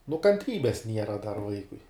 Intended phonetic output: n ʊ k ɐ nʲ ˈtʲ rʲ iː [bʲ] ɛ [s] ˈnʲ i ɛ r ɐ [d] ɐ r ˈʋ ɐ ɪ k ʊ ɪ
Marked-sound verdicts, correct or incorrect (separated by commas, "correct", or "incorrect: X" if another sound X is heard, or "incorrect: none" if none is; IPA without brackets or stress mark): correct, correct, correct